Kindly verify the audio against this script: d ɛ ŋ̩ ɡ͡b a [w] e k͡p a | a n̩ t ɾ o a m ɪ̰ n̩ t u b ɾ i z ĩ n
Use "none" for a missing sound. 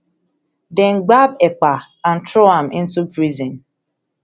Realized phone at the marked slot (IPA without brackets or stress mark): b